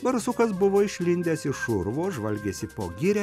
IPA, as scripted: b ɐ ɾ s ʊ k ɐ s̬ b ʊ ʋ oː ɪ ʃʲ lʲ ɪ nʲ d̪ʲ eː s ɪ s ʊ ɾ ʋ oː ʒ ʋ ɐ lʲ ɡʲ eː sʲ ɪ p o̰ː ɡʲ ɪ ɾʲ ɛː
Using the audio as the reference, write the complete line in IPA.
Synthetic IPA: b ɐ ɾ s ʊ k ɐ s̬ b ʊ ʋ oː ɪ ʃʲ lʲ ɪ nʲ d̪ʲ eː s ɪ ʃ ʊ ɾ ʋ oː ʒ ʋ ɐ lʲ ɡʲ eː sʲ ɪ p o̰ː ɡʲ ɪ ɾʲ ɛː